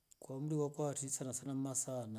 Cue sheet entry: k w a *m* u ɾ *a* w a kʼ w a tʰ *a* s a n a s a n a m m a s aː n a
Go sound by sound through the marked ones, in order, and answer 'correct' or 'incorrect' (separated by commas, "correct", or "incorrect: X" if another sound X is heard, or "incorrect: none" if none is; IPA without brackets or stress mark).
correct, incorrect: i, incorrect: i